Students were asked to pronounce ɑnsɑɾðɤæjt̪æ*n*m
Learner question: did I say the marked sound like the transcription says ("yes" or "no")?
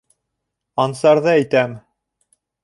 no